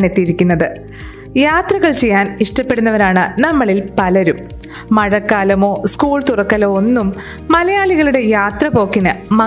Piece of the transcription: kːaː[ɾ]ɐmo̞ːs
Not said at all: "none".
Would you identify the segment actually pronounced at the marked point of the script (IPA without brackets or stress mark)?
l